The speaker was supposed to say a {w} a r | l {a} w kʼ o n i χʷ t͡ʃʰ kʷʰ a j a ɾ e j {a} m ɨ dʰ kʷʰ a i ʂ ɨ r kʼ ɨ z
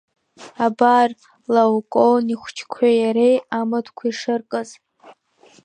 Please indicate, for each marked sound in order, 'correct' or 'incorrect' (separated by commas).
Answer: incorrect, correct, correct